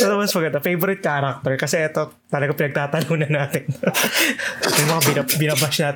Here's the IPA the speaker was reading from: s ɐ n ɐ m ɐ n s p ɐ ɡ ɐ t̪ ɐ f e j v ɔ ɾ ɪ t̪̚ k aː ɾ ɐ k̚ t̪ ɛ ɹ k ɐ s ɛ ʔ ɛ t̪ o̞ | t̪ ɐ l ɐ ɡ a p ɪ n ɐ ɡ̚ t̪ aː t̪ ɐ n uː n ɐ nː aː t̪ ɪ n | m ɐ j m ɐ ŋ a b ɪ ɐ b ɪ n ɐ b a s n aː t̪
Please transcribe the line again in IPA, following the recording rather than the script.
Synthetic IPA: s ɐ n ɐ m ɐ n s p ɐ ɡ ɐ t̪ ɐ f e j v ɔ ɾ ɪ t̪̚ k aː ɾ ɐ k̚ t̪ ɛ ɹ k ɐ s ɛ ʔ ɛ t̪ o̞ | t̪ ɐ l ɐ ɡ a p ɪ n ɐ ɡ̚ t̪ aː t̪ ɐ n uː n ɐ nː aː t̪ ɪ n | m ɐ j m ɐ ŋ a b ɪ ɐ b ɪ n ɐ b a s n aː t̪